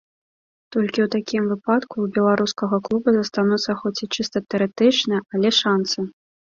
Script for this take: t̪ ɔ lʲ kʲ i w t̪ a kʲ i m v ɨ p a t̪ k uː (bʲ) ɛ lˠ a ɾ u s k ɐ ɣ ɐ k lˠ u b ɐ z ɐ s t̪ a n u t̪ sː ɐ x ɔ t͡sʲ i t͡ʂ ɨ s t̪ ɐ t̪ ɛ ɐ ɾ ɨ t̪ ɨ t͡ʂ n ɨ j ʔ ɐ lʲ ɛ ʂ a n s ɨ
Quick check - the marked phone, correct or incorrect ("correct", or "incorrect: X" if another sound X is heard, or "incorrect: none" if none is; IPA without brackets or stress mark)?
correct